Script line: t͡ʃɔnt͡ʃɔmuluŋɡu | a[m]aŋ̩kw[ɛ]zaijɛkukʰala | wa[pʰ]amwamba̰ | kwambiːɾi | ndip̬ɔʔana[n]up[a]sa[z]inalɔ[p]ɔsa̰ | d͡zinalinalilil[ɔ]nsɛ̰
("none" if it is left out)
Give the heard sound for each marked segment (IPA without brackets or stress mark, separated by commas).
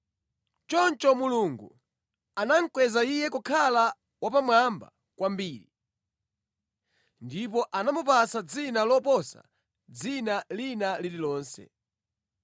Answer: n, ɛ, p, m, a, d͡z, p, ɔː